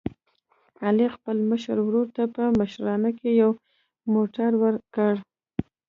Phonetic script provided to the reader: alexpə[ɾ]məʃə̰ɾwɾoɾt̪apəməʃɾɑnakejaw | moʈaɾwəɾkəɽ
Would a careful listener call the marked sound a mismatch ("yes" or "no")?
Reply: yes